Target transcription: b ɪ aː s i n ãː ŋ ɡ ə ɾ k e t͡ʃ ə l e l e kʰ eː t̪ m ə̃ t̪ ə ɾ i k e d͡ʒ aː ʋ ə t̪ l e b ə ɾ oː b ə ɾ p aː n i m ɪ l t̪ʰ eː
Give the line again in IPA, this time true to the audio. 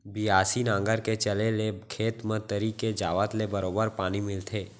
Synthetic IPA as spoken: b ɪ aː s i n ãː ŋ ɡ ə ɾ k e t͡ʃ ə l e l e kʰ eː t̪ m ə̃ t̪ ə ɾ i k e d͡ʒ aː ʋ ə t̪ l e b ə ɾ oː b ə ɾ p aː n i m ɪ l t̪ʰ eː